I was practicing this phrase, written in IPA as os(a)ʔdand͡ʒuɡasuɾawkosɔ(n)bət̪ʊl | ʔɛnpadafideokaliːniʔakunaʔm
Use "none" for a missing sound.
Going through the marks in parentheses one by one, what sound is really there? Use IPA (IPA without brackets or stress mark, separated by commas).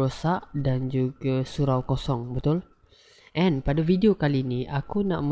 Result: a, ŋ